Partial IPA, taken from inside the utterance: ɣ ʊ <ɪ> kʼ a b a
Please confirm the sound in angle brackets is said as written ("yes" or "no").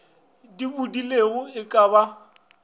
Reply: yes